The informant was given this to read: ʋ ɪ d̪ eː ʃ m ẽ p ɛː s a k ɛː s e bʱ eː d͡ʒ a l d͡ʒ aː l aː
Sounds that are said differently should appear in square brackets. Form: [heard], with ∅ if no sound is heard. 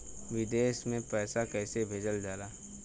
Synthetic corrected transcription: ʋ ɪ d̪ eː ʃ m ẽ p ɛː s a k ɛː s e bʱ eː d͡ʒ [ə] l d͡ʒ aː l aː